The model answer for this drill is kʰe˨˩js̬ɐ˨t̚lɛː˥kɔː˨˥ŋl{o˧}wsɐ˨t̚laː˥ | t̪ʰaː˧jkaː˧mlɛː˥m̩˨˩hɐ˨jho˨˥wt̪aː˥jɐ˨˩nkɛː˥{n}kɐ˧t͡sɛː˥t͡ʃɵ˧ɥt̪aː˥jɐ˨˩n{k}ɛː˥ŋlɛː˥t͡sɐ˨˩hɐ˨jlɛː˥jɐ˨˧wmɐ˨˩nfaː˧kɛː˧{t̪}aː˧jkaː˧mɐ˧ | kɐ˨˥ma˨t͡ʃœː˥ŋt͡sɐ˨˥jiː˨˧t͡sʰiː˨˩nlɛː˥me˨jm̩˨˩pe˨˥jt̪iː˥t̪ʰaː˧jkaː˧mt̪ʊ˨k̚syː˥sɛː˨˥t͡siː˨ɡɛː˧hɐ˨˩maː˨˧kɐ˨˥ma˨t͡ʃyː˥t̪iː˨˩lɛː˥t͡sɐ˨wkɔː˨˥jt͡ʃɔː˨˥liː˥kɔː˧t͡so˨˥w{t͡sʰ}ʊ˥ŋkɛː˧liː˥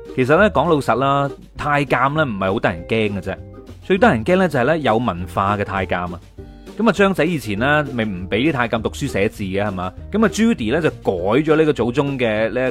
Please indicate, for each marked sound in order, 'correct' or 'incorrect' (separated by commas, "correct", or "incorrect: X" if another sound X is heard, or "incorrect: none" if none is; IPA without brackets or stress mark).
correct, incorrect: ŋ, correct, incorrect: t̪ʰ, incorrect: t͡s